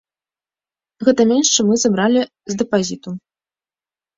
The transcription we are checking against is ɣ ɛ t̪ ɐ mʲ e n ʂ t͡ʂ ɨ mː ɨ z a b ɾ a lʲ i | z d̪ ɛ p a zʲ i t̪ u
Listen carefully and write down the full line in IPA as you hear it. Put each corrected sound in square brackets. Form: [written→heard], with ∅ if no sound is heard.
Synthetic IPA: ɣ ɛ t̪ ɐ mʲ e n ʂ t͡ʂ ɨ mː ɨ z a b ɾ a lʲ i | z d̪ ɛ p a zʲ i t̪ u